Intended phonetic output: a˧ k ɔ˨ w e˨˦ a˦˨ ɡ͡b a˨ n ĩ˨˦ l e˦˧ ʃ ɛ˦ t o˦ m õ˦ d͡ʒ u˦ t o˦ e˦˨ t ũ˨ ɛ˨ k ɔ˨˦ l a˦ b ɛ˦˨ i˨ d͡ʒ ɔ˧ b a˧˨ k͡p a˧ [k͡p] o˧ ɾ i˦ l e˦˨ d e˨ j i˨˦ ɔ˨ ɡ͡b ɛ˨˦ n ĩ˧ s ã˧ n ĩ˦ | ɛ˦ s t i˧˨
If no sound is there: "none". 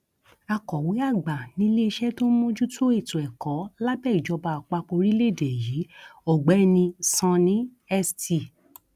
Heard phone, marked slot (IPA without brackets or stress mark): k͡p